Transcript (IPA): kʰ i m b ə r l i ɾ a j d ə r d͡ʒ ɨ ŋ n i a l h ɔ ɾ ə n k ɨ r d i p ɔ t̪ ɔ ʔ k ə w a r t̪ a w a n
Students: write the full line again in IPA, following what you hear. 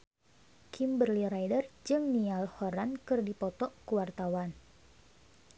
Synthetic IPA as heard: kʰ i m b ə r l i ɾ a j d ə r d͡ʒ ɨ ŋ n i a l h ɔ ɾ a n k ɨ r d i p ɔ t̪ ɔ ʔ k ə w a r t̪ a w a n